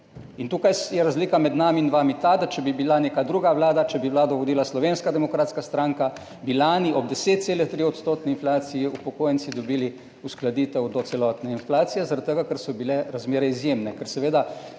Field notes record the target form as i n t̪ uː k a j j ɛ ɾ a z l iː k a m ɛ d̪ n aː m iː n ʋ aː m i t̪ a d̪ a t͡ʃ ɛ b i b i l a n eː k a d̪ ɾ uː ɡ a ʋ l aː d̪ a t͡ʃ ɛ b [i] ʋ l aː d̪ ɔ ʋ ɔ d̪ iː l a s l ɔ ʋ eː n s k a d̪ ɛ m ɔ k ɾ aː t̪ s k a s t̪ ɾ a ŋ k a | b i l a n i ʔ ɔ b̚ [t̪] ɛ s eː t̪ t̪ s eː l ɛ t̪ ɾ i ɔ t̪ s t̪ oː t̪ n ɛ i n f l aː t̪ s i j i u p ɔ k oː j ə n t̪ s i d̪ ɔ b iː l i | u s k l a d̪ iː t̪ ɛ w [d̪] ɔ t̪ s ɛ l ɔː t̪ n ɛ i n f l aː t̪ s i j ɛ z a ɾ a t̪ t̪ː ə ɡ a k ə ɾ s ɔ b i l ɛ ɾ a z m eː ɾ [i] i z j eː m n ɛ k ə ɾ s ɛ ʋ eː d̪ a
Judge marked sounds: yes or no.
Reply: yes, no, yes, no

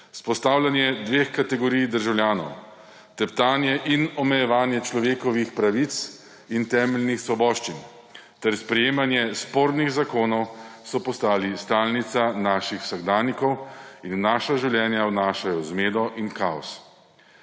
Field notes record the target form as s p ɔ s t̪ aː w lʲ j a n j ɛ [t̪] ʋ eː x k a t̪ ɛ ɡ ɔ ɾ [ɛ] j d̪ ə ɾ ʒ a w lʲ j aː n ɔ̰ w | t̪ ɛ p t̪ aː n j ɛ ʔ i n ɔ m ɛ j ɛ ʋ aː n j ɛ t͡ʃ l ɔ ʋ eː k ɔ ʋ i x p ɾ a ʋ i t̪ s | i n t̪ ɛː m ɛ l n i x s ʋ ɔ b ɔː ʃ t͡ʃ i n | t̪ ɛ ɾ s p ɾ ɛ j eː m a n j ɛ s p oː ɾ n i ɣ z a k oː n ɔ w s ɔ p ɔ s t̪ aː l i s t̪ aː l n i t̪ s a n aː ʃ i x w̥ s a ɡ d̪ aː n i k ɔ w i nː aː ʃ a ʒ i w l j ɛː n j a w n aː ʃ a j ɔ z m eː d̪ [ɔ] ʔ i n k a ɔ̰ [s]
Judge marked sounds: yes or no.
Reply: no, no, yes, yes

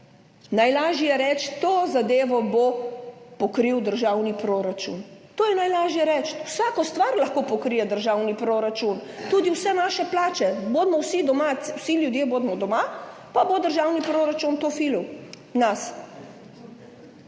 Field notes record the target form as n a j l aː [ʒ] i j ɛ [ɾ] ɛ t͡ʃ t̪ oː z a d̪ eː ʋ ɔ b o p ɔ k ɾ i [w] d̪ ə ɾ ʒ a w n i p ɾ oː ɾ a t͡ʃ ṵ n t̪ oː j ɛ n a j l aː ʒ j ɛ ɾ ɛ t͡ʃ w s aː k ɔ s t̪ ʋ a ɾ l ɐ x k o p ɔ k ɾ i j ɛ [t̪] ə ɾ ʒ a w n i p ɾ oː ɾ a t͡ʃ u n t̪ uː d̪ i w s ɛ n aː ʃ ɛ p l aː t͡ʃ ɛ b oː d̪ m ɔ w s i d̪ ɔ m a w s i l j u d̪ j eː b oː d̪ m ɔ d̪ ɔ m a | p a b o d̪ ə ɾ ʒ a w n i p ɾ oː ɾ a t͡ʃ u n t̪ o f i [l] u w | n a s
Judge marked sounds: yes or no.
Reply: yes, yes, yes, no, yes

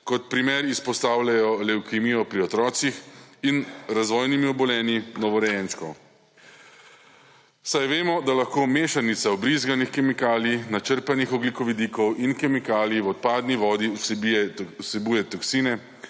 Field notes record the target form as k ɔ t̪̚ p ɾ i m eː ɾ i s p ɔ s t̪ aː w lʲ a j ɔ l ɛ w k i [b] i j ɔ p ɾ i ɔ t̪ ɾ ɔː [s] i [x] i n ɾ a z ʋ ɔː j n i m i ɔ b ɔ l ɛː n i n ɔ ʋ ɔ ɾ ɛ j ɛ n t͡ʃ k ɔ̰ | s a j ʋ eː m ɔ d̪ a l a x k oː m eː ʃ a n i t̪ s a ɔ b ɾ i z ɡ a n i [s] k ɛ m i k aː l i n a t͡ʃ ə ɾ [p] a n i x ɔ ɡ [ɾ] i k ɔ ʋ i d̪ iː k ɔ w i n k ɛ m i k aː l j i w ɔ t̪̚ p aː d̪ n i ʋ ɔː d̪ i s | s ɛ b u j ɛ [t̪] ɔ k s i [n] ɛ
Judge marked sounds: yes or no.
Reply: no, yes, yes, no, yes, no, yes, yes

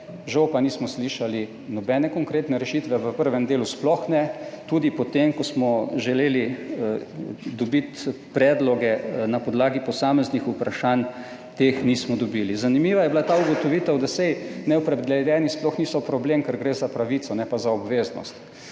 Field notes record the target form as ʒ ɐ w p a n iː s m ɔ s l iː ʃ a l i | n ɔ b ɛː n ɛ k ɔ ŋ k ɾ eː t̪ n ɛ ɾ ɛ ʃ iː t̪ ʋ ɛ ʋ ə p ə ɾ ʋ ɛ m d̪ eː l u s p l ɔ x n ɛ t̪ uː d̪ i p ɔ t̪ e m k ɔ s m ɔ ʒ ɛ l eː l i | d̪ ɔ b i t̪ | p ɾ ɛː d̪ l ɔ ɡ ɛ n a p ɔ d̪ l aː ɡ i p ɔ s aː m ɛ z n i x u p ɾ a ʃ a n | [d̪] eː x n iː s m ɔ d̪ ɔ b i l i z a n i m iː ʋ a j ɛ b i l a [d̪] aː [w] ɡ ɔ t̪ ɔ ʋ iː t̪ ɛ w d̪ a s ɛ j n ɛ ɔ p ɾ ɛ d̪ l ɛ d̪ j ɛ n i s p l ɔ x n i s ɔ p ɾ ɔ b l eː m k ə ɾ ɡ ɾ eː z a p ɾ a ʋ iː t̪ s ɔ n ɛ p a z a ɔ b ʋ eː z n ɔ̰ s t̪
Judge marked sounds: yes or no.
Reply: no, no, no

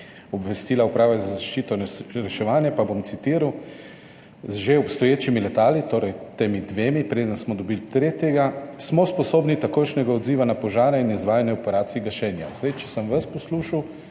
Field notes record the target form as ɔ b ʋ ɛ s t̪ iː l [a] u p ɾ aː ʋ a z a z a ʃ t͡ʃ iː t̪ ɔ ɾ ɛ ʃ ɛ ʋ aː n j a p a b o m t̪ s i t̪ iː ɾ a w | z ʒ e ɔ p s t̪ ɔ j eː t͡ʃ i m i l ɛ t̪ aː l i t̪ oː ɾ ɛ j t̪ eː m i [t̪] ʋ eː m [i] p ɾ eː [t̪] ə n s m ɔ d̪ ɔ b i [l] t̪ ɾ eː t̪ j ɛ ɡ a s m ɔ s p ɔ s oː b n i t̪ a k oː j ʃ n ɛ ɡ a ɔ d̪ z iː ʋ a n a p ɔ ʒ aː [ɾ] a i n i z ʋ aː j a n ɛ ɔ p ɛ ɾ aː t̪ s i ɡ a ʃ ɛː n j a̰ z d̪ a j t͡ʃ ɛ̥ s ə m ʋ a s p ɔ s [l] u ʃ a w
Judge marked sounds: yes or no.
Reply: yes, no, yes, no, yes, yes, yes

